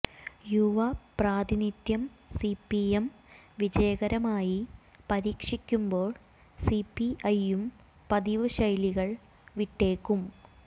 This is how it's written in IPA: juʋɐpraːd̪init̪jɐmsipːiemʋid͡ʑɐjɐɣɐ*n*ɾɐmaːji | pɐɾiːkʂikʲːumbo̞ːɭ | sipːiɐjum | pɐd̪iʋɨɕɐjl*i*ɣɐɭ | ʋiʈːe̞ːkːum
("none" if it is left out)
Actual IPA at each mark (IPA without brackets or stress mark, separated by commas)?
none, i